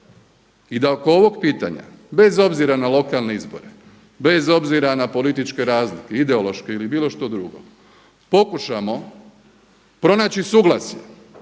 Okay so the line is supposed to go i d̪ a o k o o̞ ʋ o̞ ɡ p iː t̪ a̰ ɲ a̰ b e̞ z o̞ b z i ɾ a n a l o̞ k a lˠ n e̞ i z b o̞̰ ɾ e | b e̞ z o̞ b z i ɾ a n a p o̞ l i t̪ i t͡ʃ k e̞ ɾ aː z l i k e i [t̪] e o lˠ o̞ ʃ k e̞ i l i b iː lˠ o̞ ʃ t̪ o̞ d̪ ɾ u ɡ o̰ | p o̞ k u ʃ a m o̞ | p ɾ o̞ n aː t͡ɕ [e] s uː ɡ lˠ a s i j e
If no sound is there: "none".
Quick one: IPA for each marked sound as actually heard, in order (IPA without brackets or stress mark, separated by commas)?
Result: d̪, i